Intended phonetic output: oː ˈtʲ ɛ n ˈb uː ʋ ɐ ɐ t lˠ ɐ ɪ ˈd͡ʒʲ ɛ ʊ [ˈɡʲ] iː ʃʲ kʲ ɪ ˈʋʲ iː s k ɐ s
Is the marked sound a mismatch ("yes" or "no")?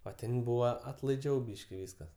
yes